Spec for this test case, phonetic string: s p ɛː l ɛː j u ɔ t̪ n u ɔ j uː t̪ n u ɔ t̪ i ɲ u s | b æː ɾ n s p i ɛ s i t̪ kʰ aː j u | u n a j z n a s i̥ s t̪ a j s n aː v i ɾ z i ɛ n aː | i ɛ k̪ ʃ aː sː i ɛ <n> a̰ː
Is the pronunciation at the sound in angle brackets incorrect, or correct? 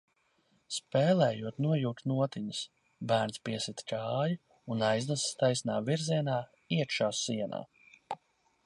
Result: correct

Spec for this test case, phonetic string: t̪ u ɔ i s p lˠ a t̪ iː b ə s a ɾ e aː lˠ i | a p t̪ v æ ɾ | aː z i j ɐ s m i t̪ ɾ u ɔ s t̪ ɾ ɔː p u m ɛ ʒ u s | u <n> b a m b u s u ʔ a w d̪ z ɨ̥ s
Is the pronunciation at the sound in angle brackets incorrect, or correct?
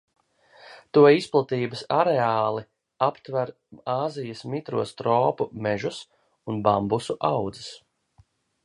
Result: correct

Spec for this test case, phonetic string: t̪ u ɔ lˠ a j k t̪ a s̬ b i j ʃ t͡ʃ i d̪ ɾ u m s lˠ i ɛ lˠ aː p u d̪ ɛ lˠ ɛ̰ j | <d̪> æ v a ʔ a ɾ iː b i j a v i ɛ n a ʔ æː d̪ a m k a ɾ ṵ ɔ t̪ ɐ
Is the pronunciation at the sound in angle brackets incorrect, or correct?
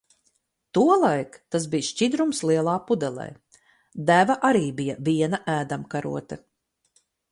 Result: correct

